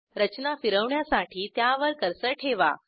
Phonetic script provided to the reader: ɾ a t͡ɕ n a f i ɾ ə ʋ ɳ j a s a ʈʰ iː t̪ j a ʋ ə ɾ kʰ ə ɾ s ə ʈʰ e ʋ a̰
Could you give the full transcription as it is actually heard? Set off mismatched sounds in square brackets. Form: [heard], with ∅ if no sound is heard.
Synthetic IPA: ɾ [ə] t͡ɕ n a f i ɾ ə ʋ ɳ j a s a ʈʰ iː t̪ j a ʋ ə ɾ [k] ə ɾ s ə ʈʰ e ʋ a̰